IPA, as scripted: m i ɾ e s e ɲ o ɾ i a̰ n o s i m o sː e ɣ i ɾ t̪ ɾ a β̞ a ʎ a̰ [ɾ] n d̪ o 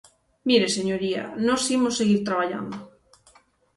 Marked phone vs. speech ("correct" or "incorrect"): incorrect